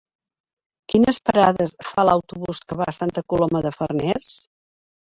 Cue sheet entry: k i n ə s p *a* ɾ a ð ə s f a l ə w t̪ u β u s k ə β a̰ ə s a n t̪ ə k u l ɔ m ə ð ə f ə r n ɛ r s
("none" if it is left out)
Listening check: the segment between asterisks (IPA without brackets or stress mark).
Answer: ə